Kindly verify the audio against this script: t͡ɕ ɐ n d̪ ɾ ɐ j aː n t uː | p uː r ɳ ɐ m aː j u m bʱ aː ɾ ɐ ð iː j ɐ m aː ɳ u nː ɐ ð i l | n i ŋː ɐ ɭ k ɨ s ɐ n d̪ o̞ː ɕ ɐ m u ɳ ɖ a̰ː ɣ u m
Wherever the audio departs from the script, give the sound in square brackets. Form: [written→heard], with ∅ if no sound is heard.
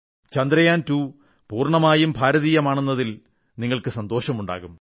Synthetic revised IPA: t͡ɕ ɐ n d̪ ɾ ɐ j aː n t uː | p uː r ɳ ɐ m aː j u m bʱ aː ɾ ɐ ð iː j ɐ m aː ɳ u nː ɐ ð i l | n i ŋː ɐ ɭ k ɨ s ɐ n d̪ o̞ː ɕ ɐ m u ɳ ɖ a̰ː ɣ u m